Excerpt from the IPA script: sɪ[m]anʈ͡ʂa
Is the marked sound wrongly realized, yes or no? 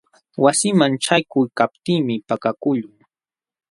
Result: no